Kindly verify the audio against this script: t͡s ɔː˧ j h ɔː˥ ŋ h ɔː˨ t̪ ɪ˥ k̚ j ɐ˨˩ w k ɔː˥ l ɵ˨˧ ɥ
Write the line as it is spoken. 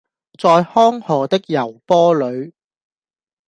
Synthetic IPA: t͡s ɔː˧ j h ɔː˥ ŋ h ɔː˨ t̪ ɪ˥ k̚ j ɐ˨˩ w p ɔː˥ l ɵ˨˧ ɥ